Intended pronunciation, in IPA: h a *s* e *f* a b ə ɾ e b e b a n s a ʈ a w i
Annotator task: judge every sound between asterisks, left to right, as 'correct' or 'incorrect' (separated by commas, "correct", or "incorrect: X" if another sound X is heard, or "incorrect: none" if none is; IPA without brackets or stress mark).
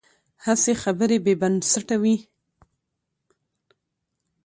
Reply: correct, incorrect: x